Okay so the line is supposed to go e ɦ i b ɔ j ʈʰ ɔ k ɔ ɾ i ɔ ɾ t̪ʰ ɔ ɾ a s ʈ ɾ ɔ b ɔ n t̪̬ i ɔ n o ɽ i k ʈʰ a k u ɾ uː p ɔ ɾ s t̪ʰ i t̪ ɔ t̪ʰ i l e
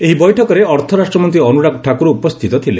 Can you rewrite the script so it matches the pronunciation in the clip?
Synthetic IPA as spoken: e ɦ i b ɔ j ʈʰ ɔ k ɔ ɾ e ɔ ɾ t̪ʰ ɔ ɾ a s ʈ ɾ ɔ m ɔ n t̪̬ i ɔ n u ɽ a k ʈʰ a k u ɾ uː p ɔ s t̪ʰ i t̪ ɔ t̪ʰ i l e